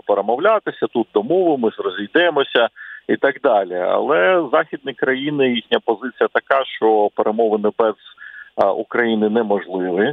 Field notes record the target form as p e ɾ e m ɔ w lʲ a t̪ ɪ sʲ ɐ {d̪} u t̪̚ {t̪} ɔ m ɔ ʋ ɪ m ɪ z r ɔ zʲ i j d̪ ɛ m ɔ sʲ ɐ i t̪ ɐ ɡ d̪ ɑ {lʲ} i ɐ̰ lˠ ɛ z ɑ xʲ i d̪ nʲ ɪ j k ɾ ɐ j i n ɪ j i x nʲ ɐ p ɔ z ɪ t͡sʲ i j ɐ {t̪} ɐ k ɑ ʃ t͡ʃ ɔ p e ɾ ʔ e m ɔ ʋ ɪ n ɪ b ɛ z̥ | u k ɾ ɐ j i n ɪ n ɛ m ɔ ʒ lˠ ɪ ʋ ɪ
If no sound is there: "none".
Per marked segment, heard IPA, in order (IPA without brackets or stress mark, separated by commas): t̪, d̪, lʲ, t̪